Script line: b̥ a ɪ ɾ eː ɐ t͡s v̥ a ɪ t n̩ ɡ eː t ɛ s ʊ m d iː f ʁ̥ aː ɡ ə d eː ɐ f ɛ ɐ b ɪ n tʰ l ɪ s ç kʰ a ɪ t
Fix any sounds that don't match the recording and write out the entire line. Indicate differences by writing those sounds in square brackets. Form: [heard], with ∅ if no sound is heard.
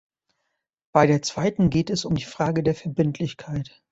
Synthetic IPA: b̥ a ɪ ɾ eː ɐ t͡s v̥ a ɪ t n̩ ɡ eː t ɛ s ʊ m d iː f ʁ̥ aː ɡ ə d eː ɐ f ɛ ɐ b ɪ n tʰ l ɪ [∅] ç kʰ a ɪ t